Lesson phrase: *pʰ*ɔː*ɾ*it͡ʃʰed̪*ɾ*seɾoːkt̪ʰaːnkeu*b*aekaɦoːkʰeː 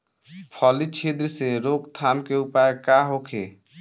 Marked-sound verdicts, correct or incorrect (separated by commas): correct, incorrect, correct, incorrect